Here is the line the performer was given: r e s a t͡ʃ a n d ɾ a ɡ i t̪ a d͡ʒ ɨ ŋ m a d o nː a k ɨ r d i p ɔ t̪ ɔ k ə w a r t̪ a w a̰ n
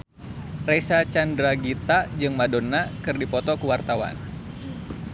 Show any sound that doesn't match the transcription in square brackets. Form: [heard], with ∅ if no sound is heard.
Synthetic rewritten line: r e s a t͡ʃ a n d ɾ a ɡ i t̪ a d͡ʒ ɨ ŋ m a d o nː a k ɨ r d i p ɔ t̪ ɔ k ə w a r t̪ a w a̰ n